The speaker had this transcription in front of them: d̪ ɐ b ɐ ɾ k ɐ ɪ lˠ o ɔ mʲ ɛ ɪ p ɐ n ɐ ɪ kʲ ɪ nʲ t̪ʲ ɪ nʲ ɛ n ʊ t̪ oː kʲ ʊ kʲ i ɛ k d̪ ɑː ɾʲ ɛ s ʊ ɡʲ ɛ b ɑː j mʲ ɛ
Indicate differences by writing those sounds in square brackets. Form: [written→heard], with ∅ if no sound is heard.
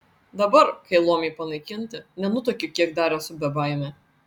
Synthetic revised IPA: d̪ ɐ b ɐ ɾ k ɐ ɪ lˠ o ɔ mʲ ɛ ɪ p ɐ n ɐ ɪ kʲ ɪ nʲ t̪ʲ ɪ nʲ ɛ n ʊ t̪ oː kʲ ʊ kʲ i ɛ k d̪ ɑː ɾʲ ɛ s ʊ [ɡʲ→bʲ] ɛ b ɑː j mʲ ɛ